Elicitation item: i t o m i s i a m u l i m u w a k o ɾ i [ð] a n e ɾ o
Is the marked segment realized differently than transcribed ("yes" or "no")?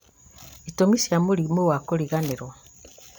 yes